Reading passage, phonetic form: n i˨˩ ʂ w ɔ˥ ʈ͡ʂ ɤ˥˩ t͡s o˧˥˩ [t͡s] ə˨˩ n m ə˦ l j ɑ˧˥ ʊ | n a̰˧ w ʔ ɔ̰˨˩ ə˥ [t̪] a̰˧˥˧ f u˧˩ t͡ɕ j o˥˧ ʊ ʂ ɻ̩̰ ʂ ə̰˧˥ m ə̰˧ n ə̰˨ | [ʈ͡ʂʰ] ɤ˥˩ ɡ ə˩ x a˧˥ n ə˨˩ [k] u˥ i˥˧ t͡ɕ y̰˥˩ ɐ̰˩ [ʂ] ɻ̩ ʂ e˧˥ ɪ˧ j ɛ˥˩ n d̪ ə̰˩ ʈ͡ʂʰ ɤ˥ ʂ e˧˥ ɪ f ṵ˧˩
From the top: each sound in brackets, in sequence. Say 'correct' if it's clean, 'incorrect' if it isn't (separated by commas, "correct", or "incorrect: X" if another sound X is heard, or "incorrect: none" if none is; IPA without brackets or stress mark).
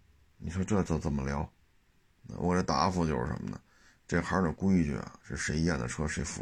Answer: correct, correct, incorrect: ʈ͡ʂ, correct, correct